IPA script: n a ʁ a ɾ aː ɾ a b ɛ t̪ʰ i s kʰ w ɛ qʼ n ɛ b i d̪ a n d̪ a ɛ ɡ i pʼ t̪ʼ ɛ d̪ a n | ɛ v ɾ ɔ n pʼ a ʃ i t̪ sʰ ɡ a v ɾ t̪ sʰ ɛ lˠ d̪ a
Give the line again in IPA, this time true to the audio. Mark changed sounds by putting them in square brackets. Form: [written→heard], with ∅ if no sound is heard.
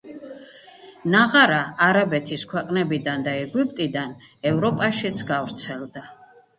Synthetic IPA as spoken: n a ʁ a ɾ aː ɾ a b ɛ t̪ʰ i s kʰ w ɛ qʼ n ɛ b i d̪ a n d̪ a ɛ ɡ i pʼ t̪ʼ [ɛ→i] d̪ a n | ɛ v ɾ ɔ [n→∅] pʼ a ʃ i t̪ sʰ ɡ a v ɾ t̪ sʰ ɛ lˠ d̪ a